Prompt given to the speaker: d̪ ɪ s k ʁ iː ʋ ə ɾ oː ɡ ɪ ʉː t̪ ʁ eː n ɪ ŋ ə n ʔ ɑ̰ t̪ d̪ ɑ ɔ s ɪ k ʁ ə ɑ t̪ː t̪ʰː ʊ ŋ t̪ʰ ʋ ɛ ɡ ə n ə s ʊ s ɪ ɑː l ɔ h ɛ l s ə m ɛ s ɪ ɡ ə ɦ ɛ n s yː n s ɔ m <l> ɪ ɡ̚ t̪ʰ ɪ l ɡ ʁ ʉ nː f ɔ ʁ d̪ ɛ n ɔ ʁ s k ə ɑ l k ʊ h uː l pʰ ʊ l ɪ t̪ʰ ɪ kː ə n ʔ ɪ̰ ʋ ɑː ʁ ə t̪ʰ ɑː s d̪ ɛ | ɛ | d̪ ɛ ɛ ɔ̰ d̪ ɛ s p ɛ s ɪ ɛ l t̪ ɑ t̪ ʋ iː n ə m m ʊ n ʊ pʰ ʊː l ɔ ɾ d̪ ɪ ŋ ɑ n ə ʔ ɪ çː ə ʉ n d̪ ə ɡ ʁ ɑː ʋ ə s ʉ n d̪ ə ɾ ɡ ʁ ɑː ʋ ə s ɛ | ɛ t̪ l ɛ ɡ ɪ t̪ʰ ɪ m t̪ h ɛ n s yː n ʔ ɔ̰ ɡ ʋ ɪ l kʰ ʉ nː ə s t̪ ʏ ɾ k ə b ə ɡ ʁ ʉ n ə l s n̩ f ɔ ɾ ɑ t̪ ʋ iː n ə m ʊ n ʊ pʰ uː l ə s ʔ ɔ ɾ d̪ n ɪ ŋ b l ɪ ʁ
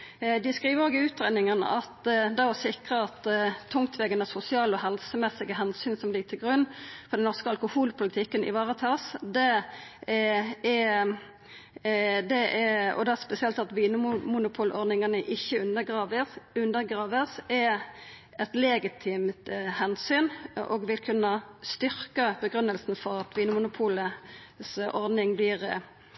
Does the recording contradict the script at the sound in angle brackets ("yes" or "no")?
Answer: no